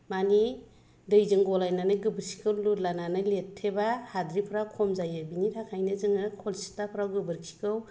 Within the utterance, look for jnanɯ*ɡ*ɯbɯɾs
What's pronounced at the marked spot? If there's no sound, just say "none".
ɡ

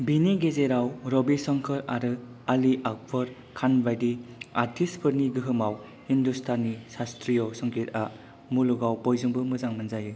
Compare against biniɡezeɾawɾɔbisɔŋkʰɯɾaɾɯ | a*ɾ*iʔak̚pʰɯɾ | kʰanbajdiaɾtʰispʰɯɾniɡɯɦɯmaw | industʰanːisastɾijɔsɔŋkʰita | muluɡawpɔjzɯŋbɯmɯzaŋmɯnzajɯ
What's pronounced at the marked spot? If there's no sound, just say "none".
l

